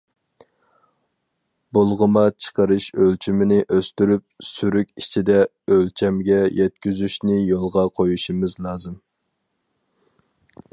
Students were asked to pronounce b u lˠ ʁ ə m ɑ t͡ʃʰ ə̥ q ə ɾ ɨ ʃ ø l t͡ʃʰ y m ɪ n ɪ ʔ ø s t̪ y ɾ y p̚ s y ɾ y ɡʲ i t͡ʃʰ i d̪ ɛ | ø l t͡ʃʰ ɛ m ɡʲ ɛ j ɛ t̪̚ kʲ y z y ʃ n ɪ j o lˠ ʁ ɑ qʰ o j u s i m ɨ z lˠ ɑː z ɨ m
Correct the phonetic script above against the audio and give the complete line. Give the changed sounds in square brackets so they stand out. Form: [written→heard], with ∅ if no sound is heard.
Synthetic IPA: b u lˠ ʁ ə m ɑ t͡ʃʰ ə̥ q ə ɾ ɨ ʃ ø l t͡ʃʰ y m ɪ n ɪ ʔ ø s t̪ y ɾ y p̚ s y ɾ y [ɡʲ→kʲ] i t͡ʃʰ i d̪ ɛ | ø l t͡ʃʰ ɛ m ɡʲ ɛ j ɛ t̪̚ kʲ y z y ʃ n ɪ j o lˠ ʁ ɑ qʰ o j u [s→ʃ] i m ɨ z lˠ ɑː z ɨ m